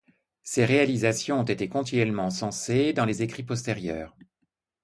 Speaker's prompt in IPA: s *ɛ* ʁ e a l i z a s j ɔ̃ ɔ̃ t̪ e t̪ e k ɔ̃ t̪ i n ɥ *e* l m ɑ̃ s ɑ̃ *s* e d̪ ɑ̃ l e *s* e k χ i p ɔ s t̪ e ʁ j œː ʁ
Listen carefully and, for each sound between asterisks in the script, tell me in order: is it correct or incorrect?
incorrect: e, incorrect: ɛ, correct, incorrect: z

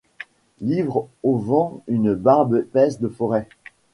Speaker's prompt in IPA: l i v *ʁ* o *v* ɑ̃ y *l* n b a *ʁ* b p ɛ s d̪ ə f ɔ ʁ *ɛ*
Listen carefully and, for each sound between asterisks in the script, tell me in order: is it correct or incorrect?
correct, correct, incorrect: none, correct, correct

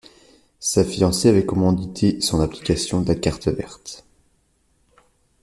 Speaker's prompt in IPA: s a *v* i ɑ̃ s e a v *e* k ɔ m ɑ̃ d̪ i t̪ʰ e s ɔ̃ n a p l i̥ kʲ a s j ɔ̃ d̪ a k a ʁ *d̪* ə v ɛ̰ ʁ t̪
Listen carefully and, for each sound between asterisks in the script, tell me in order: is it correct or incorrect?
incorrect: f, incorrect: ɛ, incorrect: t̪

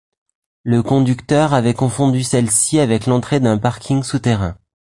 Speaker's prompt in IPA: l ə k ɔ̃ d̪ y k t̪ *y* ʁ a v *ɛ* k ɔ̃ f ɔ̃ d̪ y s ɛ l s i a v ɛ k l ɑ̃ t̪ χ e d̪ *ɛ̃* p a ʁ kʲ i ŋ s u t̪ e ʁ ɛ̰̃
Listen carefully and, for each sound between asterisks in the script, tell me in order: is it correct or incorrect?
incorrect: œ, correct, correct

